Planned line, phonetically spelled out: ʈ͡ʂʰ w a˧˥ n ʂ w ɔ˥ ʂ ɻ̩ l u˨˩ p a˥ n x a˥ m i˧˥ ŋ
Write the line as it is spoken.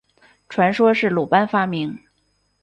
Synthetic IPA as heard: ʈ͡ʂʰ w a˧˥ n ʂ w ɔ˥ ʂ ɻ̩ l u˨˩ p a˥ n f a˥ m i˧˥ ŋ